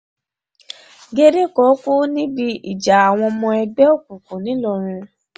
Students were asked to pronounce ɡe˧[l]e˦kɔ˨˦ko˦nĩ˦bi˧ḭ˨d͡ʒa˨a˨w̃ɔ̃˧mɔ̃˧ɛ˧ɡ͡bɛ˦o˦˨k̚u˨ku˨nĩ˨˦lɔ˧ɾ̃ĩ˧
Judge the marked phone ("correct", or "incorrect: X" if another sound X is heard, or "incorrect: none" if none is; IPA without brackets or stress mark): incorrect: ɾ